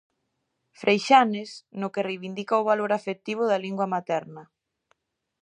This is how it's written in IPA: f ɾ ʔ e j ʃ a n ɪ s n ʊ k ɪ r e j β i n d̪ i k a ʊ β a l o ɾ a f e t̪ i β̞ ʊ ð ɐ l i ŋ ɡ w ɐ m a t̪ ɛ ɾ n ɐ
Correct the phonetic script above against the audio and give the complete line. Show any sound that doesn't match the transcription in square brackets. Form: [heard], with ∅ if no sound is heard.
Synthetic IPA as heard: f ɾ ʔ e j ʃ a n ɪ s n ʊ k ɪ r e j β i n d̪ i k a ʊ β a l o ɾ a f e t̪ i β̞ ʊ ð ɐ l i ŋ ɡ w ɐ m a t̪ ɛ ɾ n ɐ